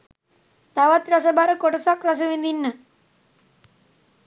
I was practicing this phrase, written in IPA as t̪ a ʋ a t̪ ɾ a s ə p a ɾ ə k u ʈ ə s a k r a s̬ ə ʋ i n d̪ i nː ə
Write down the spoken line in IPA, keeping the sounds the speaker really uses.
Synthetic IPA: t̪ a ʋ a t̪ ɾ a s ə b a ɾ ə k o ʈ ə s a k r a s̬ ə ʋ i n d̪ i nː ə